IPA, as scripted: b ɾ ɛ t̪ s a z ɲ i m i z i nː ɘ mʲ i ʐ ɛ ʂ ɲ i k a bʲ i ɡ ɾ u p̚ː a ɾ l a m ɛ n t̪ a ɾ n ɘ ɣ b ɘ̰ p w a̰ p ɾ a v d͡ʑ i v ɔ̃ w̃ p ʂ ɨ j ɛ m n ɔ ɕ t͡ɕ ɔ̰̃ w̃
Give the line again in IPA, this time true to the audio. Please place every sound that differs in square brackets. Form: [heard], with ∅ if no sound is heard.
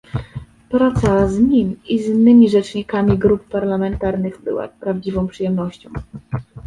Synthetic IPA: [p] ɾ [a] t̪ s a z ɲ i m i z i nː ɘ mʲ i ʐ ɛ [t͡ʂ] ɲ i k a [mʲ] i ɡ ɾ u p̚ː a ɾ l a m ɛ n t̪ a ɾ n ɘ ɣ b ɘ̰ [∅] w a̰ p ɾ a v d͡ʑ i v ɔ̃ w̃ p ʂ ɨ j ɛ m n ɔ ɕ t͡ɕ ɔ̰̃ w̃